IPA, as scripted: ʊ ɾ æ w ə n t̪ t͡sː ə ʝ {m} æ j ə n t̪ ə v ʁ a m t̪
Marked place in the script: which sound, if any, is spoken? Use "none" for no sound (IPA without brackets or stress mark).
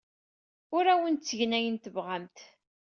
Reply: n